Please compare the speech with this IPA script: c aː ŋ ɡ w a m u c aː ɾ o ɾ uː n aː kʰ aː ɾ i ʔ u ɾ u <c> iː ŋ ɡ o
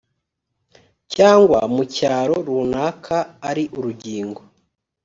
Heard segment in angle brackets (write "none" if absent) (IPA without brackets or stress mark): ɟ